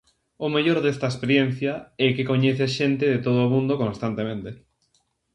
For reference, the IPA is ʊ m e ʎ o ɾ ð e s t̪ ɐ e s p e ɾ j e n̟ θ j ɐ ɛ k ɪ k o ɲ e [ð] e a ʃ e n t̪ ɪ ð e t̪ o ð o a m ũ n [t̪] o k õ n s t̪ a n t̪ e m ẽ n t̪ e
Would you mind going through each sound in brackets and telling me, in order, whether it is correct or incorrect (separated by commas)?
incorrect, incorrect